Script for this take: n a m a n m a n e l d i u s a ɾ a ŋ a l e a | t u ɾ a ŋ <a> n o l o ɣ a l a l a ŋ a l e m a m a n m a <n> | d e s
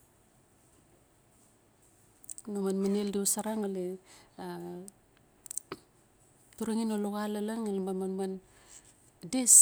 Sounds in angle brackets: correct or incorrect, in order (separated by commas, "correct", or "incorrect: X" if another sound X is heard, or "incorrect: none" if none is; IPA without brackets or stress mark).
incorrect: i, correct